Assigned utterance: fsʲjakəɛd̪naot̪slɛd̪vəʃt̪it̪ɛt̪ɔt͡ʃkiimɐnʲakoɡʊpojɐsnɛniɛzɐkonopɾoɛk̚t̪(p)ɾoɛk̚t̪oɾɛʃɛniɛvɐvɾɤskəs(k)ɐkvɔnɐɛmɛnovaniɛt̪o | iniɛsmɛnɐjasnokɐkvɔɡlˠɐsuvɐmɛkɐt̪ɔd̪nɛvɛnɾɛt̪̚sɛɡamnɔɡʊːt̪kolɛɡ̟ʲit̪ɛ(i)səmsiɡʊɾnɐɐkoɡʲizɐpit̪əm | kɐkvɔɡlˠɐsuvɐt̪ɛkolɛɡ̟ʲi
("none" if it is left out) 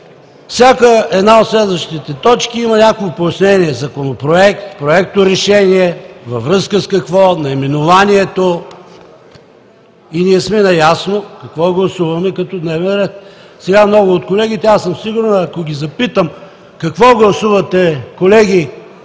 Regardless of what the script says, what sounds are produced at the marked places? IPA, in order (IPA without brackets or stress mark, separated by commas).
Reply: p, k, a